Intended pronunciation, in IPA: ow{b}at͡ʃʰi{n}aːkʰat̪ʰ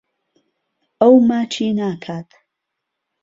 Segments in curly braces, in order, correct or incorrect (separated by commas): incorrect, correct